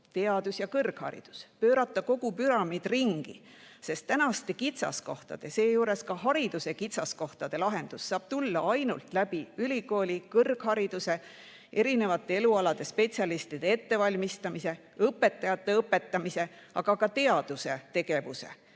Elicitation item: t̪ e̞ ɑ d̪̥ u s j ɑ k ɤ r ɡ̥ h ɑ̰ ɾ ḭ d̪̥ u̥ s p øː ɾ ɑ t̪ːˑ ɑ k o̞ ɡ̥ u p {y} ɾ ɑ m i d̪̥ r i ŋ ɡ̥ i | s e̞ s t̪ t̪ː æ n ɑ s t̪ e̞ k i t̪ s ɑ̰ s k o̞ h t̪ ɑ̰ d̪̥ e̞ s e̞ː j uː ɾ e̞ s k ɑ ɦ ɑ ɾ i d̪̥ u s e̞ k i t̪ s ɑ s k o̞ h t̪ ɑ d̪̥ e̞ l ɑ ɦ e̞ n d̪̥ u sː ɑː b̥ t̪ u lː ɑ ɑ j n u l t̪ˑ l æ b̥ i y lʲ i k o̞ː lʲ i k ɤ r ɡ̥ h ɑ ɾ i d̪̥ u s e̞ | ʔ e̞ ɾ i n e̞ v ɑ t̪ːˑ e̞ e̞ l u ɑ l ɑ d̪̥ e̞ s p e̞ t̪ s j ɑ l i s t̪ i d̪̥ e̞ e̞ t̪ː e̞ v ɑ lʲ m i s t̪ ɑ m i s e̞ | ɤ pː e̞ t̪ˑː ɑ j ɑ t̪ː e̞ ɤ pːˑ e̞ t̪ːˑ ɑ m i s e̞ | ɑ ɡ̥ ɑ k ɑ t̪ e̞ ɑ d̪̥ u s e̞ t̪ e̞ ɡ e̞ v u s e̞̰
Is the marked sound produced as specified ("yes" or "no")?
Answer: yes